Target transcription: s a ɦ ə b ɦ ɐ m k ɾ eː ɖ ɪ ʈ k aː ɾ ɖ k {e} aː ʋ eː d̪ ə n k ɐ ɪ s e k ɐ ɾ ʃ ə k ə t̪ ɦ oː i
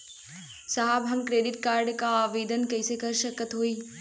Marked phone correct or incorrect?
incorrect